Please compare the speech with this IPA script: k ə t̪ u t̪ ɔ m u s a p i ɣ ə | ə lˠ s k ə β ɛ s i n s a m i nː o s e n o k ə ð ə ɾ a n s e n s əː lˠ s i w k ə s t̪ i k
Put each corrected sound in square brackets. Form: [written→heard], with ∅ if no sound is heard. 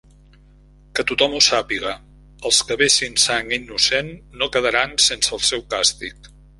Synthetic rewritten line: k ə t̪ u t̪ ɔ m u s a p i ɣ ə | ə lˠ s k ə β [ɛ→e] s i n s a [m→ŋ] i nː [o→u] s e [n→nː] o k ə ð ə ɾ a n s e n s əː lˠ s [i→ɛ] w k [ə→a] s t̪ i k